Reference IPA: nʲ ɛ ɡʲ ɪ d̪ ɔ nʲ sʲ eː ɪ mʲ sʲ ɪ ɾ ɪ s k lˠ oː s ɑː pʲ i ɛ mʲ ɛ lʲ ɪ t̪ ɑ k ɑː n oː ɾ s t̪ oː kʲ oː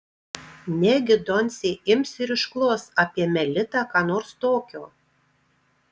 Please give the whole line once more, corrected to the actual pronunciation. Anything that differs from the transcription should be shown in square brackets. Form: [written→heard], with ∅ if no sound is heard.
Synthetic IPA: nʲ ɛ ɡʲ ɪ d̪ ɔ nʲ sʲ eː ɪ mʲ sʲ ɪ ɾ ɪ [s→ʃ] k lˠ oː s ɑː pʲ i ɛ mʲ ɛ lʲ ɪ t̪ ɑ k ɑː n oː ɾ s t̪ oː kʲ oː